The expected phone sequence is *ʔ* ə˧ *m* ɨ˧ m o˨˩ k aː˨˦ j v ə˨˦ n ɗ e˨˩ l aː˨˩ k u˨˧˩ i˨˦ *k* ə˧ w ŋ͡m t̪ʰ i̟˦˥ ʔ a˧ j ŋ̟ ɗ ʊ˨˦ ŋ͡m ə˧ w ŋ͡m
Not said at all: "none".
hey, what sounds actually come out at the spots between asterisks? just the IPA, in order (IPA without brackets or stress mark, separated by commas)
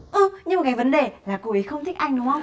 ʔ, ɲ, x